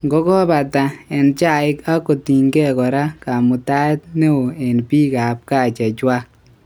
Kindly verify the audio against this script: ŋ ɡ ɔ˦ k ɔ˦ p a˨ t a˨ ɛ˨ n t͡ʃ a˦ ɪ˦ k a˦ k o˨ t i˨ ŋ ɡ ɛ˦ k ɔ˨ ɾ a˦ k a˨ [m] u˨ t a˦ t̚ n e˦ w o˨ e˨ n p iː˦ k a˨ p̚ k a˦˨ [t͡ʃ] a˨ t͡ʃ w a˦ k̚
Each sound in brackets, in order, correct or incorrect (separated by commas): correct, correct